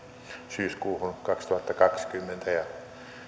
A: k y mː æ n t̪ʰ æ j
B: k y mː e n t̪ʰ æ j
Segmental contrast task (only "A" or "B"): B